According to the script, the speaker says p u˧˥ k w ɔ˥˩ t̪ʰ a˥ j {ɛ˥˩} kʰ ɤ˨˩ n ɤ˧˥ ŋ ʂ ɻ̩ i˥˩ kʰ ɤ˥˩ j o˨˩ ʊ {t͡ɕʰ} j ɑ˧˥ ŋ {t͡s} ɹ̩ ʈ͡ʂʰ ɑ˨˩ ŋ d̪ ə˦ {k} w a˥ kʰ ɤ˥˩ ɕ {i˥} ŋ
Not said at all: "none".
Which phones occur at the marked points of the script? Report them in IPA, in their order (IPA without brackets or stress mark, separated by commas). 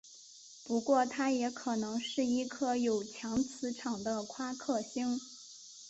ɛ˧˥, t͡ɕʰ, t͡sʰ, kʰ, i˥